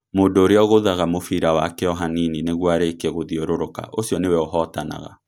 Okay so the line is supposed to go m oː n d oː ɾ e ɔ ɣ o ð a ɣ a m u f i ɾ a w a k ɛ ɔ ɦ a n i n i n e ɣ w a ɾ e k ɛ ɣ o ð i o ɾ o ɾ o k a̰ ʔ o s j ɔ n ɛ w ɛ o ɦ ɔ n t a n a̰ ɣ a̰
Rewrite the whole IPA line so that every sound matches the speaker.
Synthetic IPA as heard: m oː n d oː ɾ e ɔ ɣ o ð a ɣ a m o f i ɾ a w a k ɛ ɔ ɦ a n i n i n e ɣ w a ɾ e k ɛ ɣ o ð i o ɾ o ɾ o k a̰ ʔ o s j ɔ n e w ɛ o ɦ ɔ t a n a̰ ɣ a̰

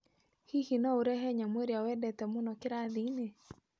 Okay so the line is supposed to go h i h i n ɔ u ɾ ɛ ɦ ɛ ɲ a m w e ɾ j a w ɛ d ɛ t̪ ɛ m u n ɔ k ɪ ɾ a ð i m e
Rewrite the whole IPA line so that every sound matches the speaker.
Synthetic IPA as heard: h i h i n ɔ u ɾ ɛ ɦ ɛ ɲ a m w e ɾ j a w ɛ d ɛ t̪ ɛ m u n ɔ k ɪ ɾ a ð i n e

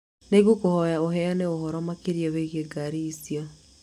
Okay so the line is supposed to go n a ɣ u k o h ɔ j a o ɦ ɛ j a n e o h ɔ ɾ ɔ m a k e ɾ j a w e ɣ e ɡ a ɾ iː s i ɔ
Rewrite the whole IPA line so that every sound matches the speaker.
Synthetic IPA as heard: n e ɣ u k o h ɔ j a o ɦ ɛ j a n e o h ɔ ɾ ɔ m a k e ɾ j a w e ɣ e ɡ a ɾ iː s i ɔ

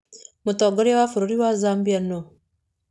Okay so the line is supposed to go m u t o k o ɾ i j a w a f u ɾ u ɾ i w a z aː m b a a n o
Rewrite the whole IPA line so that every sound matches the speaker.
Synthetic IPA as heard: m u t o ɡ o ɾ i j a w a f u ɾ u ɾ i w a z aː m b i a n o

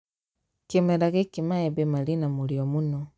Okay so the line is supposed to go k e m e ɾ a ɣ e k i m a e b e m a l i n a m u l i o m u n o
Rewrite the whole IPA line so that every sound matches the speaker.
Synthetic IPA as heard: k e m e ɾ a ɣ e k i m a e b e m a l i n a m u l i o m u n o

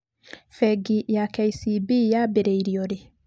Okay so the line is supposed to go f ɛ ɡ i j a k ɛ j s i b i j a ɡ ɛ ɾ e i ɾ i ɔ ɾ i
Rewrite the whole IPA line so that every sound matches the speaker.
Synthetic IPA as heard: f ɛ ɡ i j a k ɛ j s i b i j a b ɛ ɾ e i ɾ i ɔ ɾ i

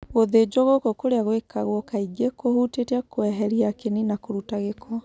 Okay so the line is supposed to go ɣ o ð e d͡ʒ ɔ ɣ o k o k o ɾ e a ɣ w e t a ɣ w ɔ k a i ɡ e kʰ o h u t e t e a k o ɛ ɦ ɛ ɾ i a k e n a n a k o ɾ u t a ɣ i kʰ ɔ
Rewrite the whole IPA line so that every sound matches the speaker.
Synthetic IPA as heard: ɣ o ð e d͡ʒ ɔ ɣ o k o k o ɾ e a ɣ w e k a ɣ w ɔ k a i ɡ e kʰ o h u t e t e a k o ɛ ɦ ɛ ɾ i a k e n i n a k o ɾ u t a ɣ e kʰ ɔ

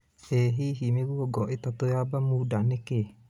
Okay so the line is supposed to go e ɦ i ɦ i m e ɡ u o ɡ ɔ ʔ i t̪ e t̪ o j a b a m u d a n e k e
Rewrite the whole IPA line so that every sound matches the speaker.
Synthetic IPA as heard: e ɦ i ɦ i m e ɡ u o ɡ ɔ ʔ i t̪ a t̪ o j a b a m u d a n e k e

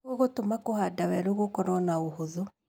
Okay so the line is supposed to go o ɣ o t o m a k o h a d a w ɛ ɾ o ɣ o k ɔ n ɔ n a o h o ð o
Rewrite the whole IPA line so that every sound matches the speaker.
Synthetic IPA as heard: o ɣ o t o m a k o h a d a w ɛ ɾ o ɣ o k ɔ n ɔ n a o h o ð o

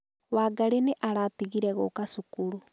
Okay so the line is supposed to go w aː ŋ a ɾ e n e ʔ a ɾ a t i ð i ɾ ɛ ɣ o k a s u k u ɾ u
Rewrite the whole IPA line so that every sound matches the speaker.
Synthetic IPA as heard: w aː ɡ a ɾ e n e ʔ a ɾ a t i ɣ i ɾ ɛ ɣ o k a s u k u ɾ u

